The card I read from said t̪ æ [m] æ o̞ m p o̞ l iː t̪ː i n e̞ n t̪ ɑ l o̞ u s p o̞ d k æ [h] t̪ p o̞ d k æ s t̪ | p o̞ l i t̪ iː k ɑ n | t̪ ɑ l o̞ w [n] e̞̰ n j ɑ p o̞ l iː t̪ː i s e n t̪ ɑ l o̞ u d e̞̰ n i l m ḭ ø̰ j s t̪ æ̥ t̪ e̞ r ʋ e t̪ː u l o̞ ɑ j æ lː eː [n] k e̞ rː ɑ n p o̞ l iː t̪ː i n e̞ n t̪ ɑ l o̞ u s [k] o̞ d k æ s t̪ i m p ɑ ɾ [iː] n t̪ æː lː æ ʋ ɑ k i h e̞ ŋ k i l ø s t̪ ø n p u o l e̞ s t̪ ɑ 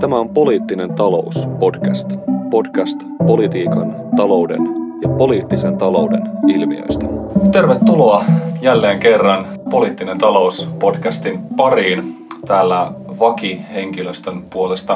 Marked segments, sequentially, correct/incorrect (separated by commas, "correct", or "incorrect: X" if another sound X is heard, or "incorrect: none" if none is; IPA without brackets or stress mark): correct, incorrect: s, incorrect: d, incorrect: ŋ, incorrect: p, correct